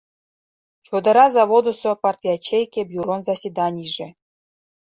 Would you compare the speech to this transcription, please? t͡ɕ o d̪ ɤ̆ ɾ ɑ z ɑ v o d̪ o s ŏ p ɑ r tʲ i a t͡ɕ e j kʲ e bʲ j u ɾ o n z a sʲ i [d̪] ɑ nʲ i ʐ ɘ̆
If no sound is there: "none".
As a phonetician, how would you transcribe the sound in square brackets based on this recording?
d̪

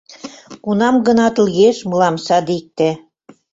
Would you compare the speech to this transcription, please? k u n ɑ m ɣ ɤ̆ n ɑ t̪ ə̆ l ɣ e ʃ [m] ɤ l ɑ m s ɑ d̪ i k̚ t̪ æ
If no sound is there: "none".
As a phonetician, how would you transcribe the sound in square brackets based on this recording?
m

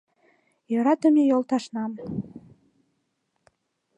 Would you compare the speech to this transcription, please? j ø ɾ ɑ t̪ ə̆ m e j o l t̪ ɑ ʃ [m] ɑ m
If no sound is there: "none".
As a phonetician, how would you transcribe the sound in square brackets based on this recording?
n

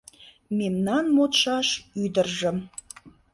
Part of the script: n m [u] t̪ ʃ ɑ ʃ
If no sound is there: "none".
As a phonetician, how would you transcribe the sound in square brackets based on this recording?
o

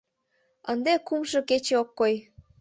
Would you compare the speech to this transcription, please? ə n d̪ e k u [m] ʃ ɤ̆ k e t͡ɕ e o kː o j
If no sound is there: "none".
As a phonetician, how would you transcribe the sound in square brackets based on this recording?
m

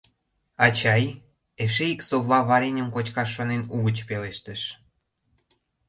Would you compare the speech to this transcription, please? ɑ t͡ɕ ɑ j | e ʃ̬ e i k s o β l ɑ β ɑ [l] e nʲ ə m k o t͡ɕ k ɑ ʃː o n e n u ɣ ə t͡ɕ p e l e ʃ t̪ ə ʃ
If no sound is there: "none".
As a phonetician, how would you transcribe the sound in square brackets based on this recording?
ɾ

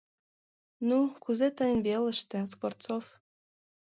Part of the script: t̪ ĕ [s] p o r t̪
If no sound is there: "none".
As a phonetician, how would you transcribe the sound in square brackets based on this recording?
s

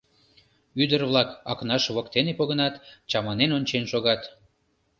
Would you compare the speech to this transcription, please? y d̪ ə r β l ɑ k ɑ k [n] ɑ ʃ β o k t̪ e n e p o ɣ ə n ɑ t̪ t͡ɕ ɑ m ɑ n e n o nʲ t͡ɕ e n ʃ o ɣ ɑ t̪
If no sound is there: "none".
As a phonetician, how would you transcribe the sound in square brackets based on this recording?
n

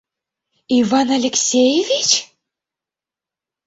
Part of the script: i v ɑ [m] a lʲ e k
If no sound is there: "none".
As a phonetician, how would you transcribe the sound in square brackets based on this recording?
n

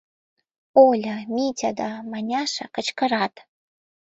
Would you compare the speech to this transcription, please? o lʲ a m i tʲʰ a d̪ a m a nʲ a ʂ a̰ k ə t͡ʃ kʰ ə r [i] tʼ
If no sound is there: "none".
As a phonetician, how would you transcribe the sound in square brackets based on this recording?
a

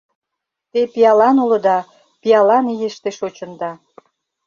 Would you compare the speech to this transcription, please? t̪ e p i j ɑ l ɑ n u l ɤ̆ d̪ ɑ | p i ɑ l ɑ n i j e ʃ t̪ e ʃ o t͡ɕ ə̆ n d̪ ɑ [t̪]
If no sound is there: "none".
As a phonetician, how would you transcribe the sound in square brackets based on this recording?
none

